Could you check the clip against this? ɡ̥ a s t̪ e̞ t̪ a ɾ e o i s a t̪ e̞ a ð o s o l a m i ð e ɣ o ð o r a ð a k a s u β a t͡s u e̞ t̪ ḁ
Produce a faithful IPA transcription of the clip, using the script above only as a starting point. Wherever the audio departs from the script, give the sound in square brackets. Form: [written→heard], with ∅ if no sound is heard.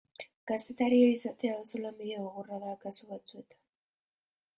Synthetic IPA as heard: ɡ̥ a s t̪ e̞ t̪ a ɾ [e→i] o i s a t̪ e̞ a ð o s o l a m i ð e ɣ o [ð→ɣ] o r a ð a k a s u β a t͡s u e̞ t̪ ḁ